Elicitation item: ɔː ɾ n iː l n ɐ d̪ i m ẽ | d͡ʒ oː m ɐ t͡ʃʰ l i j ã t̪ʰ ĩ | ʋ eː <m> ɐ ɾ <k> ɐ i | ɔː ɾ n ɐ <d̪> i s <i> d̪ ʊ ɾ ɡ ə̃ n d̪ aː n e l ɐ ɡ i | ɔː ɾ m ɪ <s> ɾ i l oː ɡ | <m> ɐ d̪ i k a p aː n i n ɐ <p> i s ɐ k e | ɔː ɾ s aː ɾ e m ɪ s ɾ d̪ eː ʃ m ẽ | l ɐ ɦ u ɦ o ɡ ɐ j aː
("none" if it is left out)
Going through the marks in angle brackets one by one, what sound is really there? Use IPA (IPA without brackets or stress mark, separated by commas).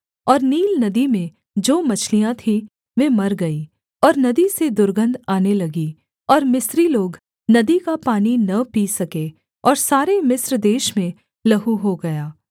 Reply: m, ɡ, d̪, e, s, n, p